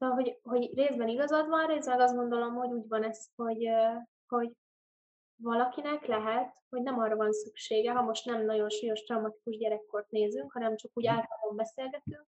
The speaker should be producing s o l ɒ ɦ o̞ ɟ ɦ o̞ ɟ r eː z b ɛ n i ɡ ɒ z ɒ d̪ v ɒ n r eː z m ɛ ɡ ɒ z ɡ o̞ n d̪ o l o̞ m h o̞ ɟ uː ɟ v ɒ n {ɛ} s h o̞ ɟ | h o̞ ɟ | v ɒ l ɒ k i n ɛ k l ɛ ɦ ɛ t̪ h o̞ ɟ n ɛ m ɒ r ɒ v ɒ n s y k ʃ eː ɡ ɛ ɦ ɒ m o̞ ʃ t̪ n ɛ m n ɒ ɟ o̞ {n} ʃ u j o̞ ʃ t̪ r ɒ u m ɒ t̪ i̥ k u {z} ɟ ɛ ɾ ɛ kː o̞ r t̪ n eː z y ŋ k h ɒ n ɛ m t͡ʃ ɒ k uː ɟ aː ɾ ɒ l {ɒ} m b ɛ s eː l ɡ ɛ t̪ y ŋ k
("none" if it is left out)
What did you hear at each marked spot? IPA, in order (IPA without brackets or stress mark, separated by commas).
ɛ, n, ʒ, o